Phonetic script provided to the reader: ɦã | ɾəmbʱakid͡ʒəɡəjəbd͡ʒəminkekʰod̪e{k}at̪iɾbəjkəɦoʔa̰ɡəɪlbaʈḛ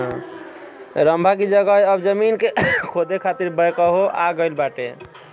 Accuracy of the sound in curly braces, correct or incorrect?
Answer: incorrect